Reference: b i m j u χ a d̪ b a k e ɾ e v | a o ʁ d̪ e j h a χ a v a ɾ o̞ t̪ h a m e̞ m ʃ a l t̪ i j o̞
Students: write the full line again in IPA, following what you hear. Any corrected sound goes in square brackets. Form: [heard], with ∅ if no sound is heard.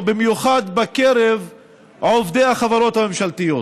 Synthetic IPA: b i m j u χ a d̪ b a k e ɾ e v | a o [v] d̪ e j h a χ a v a ɾ o̞ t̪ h a m e̞ m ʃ a l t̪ i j o̞